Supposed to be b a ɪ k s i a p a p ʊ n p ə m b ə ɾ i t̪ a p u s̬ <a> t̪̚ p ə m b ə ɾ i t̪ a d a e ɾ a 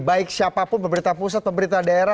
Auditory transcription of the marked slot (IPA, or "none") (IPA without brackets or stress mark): a